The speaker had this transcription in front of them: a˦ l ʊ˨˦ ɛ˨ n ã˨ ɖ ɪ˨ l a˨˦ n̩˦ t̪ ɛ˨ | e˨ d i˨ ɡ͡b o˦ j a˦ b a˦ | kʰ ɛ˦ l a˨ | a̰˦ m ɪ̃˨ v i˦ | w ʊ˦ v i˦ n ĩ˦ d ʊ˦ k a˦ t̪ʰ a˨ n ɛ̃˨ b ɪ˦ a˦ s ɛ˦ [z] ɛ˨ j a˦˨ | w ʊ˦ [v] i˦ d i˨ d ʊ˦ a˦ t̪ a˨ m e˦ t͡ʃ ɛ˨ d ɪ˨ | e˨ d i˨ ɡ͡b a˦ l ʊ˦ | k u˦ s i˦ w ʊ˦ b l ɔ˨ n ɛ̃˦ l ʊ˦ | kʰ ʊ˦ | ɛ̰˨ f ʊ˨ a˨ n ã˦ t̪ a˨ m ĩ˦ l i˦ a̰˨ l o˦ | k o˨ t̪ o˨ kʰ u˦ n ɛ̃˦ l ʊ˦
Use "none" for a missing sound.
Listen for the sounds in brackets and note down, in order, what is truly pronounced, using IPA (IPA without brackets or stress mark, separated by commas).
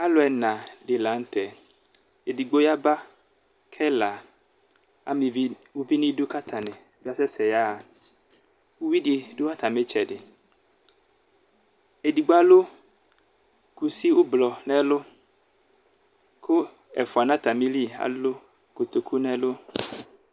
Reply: s, w